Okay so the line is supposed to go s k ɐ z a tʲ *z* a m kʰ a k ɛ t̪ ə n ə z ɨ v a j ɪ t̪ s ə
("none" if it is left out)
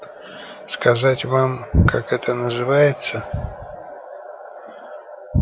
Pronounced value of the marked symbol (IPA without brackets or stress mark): v